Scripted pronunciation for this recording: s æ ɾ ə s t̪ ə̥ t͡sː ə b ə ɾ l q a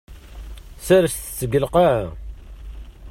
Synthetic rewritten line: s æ ɾ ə s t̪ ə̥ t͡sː ə ɡ ə l q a